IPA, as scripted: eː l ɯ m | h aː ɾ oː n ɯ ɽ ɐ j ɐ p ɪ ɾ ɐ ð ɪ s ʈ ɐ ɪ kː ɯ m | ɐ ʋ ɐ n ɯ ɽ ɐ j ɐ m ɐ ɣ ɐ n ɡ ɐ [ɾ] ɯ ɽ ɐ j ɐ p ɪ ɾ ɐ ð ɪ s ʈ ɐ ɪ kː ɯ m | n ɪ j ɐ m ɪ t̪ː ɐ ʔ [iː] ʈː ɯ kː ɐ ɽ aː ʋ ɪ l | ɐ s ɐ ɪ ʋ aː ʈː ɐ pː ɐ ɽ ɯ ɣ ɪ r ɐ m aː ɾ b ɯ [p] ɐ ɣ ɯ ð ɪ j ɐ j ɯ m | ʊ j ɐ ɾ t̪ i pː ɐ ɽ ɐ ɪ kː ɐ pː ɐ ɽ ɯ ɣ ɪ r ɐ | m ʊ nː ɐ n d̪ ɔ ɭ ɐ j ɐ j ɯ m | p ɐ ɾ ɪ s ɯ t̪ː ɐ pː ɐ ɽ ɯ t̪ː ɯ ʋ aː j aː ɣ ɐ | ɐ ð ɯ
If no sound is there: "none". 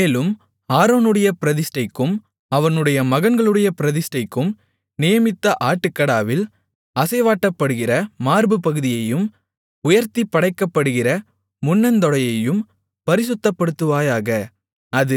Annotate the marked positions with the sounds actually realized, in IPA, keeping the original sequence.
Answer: ɭ, aː, p

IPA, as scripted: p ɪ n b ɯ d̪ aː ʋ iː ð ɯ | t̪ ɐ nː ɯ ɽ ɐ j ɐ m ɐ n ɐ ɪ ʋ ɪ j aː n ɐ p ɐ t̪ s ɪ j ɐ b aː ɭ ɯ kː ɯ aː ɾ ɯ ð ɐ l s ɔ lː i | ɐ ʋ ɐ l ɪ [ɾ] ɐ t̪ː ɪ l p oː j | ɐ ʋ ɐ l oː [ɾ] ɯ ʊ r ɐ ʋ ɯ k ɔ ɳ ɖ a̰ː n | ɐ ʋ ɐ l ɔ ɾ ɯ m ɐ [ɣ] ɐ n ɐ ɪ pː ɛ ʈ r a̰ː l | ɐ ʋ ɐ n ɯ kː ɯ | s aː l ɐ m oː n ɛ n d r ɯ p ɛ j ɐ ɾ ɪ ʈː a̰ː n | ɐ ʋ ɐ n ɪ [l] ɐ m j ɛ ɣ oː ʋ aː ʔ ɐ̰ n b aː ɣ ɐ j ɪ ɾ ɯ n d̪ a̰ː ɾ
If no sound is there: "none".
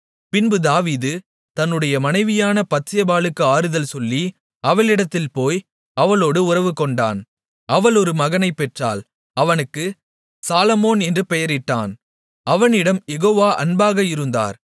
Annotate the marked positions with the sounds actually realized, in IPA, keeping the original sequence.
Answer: ɽ, ɽ, ɣ, ɽ

